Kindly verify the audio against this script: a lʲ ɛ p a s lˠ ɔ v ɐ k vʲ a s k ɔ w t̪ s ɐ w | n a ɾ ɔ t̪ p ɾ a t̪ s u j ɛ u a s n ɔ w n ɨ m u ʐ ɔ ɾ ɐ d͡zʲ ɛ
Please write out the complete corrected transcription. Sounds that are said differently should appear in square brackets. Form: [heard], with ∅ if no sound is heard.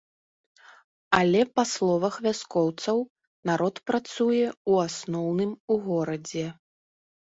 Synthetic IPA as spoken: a lʲ ɛ p a s lˠ ɔ v ɐ [x] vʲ a s k ɔ w t̪ s ɐ w | n a ɾ ɔ t̪ p ɾ a t̪ s u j ɛ u a s n ɔ w n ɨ m u [ɣ] ɔ ɾ ɐ d͡zʲ ɛ